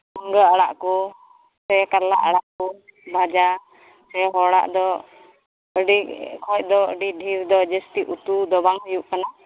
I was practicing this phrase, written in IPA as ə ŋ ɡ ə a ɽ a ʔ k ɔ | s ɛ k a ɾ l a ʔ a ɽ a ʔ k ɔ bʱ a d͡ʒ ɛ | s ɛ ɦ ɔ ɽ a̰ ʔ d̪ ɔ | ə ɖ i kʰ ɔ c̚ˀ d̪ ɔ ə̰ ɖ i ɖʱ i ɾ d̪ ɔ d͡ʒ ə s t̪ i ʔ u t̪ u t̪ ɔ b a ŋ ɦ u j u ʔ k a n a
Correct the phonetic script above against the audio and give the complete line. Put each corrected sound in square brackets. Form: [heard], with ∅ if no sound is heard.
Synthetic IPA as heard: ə ŋ ɡ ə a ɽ a ʔ k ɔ | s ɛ k a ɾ l a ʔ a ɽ a ʔ k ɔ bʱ a d͡ʒ [a] | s ɛ ɦ ɔ ɽ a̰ ʔ d̪ ɔ | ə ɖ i kʰ ɔ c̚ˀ d̪ ɔ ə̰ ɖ i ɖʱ i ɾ d̪ ɔ d͡ʒ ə s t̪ i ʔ u t̪ u [d̪] ɔ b a ŋ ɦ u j u ʔ k a n a

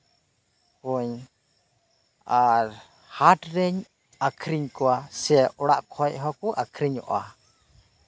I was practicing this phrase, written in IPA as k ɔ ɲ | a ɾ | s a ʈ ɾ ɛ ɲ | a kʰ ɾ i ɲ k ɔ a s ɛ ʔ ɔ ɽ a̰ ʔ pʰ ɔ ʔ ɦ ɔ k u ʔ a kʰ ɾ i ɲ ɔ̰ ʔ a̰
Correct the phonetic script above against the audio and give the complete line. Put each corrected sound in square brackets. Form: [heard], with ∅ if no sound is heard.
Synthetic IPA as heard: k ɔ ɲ | a ɾ | [h] a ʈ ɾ ɛ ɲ | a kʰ ɾ i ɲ k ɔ a s ɛ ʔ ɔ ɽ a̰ ʔ [kʰ] ɔ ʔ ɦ ɔ k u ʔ a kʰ ɾ i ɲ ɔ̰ ʔ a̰

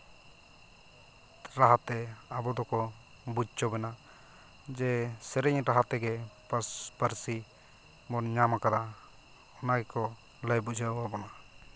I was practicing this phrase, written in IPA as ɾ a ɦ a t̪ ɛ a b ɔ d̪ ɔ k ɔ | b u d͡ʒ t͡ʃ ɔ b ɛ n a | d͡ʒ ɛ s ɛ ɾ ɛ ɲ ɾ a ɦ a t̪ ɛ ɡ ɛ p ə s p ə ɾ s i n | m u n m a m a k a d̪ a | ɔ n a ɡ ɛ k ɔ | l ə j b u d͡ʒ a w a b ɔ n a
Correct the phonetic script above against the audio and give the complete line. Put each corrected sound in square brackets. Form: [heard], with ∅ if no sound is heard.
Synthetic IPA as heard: ɾ a ɦ a t̪ ɛ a b ɔ d̪ ɔ k ɔ | b u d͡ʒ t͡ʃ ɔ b ɛ n a | d͡ʒ ɛ s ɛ ɾ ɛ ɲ ɾ a ɦ a t̪ ɛ ɡ ɛ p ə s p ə ɾ s i [∅] | m [ɔ] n [ɲ] a m a k a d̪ a | ɔ n a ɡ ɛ k ɔ | l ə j b u d͡ʒ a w a b ɔ n a

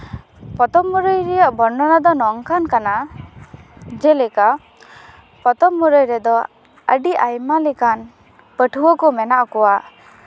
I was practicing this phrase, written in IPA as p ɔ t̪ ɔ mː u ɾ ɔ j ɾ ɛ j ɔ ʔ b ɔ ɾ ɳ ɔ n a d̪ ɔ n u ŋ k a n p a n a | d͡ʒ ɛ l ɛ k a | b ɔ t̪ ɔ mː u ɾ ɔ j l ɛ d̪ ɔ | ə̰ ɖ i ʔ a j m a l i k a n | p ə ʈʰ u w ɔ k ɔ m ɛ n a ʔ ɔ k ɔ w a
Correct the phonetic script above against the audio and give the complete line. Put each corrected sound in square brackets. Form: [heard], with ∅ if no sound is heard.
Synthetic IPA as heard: p ɔ t̪ ɔ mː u ɾ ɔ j ɾ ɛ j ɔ ʔ b ɔ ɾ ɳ ɔ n a d̪ ɔ n [ɔ] ŋ k a n [k] a n a | d͡ʒ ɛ l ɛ k a | [p] ɔ t̪ ɔ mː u ɾ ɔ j [ɾ] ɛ d̪ ɔ | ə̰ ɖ i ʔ a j m a l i k a n | p ə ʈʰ u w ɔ k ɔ m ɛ n a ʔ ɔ k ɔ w a

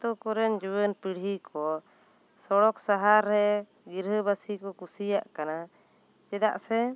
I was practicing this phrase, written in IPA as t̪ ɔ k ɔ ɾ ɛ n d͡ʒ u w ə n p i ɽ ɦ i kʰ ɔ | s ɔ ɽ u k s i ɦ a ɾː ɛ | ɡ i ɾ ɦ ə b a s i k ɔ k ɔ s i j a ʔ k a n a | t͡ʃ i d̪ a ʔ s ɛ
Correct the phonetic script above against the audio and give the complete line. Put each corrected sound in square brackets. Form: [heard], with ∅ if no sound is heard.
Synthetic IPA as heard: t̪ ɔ k ɔ ɾ ɛ n d͡ʒ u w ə n p i ɽ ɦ i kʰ ɔ | s ɔ ɽ [ɔ] k s [a] ɦ a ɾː ɛ | ɡ i ɾ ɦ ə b a s i k ɔ k [u] s i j a ʔ k a n a | t͡ʃ [ɛ] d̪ a ʔ s ɛ

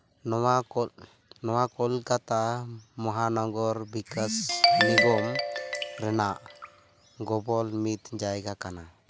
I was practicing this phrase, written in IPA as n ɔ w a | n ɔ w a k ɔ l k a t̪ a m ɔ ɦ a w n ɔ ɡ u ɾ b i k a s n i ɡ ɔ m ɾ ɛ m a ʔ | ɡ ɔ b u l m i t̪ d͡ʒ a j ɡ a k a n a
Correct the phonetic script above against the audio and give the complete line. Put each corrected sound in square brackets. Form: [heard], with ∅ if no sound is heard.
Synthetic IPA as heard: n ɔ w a | n ɔ w a k ɔ l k a t̪ a m ɔ ɦ a [∅] n ɔ ɡ [ɔ] ɾ b i k a s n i ɡ ɔ m ɾ ɛ [n] a ʔ | ɡ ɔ b [ɔ] l m i t̪ d͡ʒ a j ɡ a k a n a

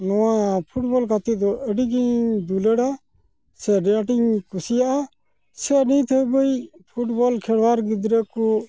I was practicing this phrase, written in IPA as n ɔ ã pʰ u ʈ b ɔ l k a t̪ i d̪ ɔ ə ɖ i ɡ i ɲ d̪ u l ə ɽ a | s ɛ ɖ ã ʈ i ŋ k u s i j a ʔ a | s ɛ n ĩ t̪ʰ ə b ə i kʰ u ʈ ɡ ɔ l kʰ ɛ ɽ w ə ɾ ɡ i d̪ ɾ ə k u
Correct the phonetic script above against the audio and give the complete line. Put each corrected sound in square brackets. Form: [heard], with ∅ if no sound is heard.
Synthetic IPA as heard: n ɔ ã pʰ u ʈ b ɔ l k a t̪ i d̪ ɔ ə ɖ i ɡ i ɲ d̪ u l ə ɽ a | s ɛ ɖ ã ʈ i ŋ k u s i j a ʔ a | s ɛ n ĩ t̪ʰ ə b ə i [pʰ] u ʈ [b] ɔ l kʰ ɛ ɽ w [a] ɾ ɡ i d̪ ɾ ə k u

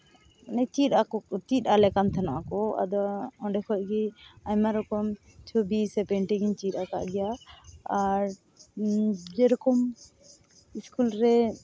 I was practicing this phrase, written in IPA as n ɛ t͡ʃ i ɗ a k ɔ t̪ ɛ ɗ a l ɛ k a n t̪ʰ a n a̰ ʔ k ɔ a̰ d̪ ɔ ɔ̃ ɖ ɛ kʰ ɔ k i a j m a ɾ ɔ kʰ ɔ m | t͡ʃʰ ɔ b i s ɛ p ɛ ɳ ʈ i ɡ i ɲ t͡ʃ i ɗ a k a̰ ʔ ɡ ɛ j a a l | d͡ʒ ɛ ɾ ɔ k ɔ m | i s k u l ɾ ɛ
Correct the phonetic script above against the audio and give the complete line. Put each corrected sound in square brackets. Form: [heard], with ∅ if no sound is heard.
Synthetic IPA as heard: n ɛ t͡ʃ i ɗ a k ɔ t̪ [i] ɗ a l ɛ k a n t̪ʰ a n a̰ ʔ k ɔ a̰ d̪ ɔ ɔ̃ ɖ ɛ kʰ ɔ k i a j m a ɾ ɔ [k] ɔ m | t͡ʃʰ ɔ b i s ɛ p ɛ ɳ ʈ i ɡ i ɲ t͡ʃ i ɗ a k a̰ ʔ ɡ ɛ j a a [ɾ] | d͡ʒ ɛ ɾ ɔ k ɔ m | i s k u l ɾ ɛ

